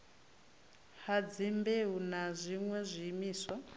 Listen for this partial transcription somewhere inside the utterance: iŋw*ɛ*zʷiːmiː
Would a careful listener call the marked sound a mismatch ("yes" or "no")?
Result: no